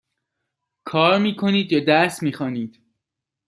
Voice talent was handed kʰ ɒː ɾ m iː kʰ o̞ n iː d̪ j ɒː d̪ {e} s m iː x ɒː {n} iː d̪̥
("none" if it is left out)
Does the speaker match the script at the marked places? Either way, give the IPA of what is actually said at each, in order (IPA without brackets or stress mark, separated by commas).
æ, n